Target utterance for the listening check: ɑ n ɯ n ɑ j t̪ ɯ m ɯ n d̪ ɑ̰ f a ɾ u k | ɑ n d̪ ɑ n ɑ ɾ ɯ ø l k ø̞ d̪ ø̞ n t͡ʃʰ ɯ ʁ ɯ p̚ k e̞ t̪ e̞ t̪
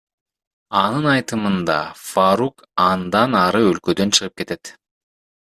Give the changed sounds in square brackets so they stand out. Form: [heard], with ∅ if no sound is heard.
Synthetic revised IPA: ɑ n ɯ n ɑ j t̪ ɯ m ɯ n d̪ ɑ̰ f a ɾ u k | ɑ n d̪ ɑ n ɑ ɾ ɯ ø l k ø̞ d̪ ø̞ n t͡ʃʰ ɯ ʁ ɯ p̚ k e̞ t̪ e̞ t̪